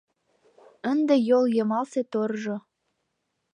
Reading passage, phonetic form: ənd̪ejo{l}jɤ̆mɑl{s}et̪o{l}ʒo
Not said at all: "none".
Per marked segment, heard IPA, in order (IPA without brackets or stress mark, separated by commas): l, s, r